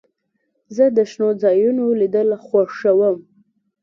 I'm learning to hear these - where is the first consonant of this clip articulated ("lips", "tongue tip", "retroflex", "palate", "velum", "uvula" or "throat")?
tongue tip